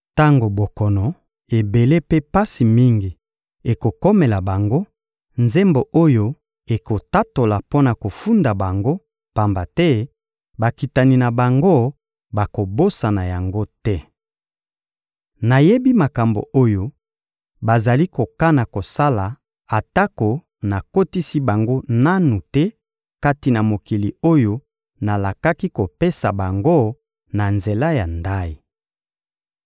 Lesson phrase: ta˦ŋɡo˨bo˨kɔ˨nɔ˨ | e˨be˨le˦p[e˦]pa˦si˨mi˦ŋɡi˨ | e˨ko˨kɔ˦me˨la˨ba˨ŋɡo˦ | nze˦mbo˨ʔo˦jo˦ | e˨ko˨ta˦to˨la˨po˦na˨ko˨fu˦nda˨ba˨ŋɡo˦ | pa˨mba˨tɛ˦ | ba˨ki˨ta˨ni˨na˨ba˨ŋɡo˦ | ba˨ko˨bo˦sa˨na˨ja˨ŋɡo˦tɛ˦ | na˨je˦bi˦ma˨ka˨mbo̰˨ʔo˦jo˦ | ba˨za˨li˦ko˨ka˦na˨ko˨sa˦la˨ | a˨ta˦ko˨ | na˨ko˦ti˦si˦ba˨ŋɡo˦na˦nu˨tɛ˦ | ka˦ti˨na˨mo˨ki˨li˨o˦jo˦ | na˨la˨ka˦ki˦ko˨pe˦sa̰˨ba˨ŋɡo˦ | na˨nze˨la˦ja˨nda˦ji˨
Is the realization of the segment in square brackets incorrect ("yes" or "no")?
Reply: no